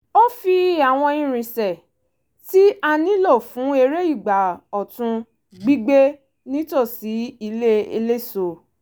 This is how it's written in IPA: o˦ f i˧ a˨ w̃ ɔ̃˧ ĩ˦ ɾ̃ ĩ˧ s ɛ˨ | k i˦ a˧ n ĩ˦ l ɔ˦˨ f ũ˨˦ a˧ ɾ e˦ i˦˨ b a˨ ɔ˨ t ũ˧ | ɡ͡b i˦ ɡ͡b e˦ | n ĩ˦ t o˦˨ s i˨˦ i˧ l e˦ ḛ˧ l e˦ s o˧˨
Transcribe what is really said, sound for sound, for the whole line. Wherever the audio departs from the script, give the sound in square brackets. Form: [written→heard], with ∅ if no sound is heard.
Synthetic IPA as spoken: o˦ f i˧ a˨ w̃ ɔ̃˧ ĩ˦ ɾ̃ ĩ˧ s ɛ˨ | [k→t] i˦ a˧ n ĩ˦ l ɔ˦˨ f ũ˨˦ [a˧→e˧] ɾ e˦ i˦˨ [b→ɡ͡b] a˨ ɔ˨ t ũ˧ | ɡ͡b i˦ ɡ͡b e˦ | n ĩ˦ t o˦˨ s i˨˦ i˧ l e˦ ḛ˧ l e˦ s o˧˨